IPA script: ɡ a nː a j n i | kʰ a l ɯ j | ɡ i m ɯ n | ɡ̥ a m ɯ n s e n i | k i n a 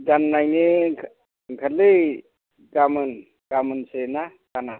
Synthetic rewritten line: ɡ a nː a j n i | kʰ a l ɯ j | ɡ a m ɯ n | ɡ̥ a m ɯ n s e n a | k a n a